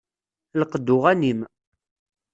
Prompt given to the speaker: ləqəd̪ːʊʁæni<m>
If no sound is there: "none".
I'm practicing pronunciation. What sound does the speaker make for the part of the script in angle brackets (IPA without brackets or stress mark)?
m